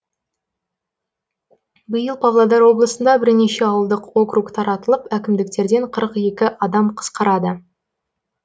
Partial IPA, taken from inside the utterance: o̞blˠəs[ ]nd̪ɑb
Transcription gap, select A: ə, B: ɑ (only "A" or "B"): A